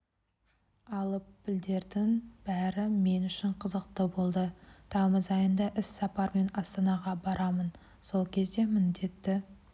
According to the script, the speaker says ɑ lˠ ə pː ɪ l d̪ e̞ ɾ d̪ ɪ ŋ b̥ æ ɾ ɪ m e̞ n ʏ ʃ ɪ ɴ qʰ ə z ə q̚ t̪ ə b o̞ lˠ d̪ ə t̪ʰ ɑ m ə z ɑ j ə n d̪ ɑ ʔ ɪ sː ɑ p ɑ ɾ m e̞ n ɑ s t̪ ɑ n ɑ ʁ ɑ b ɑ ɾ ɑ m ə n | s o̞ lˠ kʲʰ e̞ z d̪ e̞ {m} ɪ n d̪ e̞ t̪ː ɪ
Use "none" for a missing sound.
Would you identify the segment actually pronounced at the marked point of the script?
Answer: m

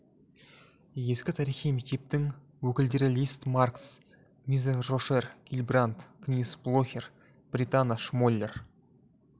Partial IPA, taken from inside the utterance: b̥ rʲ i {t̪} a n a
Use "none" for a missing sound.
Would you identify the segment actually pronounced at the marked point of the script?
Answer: t̪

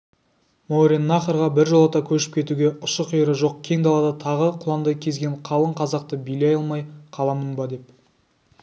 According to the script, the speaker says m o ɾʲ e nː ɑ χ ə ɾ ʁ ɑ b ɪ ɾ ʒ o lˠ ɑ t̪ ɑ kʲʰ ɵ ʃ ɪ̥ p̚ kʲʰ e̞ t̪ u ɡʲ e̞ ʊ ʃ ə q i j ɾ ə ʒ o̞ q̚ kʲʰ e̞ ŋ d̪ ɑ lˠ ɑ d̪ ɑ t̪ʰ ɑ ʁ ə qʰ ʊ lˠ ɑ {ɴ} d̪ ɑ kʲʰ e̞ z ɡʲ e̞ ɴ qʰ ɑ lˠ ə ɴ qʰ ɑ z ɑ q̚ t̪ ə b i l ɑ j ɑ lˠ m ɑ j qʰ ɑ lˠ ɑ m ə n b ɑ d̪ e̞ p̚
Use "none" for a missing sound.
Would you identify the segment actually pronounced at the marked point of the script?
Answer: n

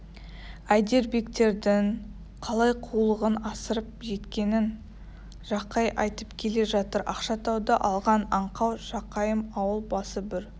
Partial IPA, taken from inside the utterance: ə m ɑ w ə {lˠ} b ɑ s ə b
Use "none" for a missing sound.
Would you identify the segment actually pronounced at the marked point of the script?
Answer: lˠ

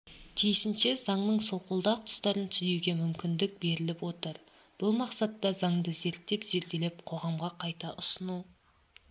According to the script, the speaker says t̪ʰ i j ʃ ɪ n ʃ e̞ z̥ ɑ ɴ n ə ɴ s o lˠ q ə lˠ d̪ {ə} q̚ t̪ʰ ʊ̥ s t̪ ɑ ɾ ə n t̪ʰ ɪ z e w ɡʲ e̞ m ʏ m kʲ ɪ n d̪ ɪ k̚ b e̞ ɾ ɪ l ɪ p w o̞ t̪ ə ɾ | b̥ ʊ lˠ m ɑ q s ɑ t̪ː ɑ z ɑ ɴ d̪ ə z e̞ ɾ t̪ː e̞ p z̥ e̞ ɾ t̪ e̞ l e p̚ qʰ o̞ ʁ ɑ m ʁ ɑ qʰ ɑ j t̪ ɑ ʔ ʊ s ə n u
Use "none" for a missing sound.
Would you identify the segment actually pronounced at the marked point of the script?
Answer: ɑ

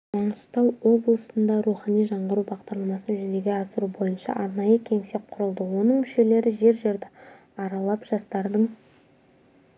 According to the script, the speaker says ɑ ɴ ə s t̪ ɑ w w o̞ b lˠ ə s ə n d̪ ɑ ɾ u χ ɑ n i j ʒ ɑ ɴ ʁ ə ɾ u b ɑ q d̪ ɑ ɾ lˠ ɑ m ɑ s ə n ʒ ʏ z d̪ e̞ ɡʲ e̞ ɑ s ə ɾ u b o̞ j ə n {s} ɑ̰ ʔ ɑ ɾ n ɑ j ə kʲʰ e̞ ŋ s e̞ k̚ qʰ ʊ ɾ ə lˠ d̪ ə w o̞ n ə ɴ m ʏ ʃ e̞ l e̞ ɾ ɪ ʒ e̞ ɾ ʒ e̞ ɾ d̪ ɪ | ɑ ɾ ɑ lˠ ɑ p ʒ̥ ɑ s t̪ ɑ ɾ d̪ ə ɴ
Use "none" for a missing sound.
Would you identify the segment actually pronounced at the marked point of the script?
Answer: ʃ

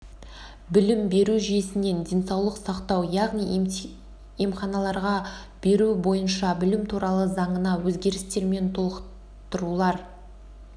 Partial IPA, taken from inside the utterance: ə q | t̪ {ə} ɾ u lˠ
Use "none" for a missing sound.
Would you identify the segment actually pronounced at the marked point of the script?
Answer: ə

